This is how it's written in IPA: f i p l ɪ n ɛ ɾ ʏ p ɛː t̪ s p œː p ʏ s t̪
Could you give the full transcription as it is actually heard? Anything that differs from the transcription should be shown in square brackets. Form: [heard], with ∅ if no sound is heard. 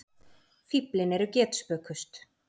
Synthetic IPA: f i p l ɪ n ɛ ɾ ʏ [c] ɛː t̪ s p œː [k] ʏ s t̪